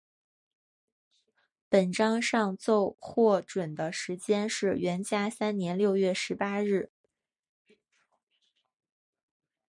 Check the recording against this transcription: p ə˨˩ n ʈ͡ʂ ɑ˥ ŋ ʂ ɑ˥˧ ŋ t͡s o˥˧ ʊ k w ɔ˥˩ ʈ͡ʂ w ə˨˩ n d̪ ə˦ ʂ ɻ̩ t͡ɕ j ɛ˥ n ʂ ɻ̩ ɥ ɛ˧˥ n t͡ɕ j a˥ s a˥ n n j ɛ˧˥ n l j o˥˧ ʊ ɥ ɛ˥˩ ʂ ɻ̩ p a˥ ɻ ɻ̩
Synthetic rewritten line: p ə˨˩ n ʈ͡ʂ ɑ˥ ŋ ʂ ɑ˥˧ ŋ t͡s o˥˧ ʊ x w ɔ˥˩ ʈ͡ʂ w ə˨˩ n d̪ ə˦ ʂ ɻ̩ t͡ɕ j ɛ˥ n ʂ ɻ̩ ɥ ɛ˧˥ n t͡ɕ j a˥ s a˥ n n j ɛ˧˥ n l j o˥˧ ʊ ɥ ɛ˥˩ ʂ ɻ̩ p a˥ ɻ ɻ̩